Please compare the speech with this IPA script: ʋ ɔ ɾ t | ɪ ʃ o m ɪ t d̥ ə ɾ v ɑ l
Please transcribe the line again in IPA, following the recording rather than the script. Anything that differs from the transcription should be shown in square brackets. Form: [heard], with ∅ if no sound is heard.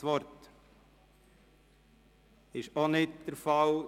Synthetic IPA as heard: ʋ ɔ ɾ t | ɪ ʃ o [n] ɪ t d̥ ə ɾ [f] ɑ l